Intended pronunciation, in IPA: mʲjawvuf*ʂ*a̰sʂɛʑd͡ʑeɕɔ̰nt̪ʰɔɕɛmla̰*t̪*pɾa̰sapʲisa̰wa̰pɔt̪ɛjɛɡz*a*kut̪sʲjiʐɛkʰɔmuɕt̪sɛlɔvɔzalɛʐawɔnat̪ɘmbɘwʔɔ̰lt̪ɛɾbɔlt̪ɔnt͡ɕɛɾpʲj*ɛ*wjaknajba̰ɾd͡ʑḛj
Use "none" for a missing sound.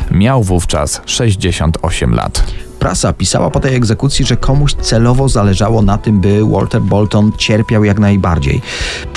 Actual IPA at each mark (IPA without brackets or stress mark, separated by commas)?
t͡ʂ, t̪, ɛ, a